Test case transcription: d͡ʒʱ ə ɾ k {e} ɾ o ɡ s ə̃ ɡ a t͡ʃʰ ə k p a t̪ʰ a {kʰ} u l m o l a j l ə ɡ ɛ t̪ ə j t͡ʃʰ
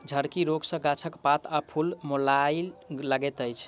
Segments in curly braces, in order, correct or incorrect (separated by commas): incorrect, incorrect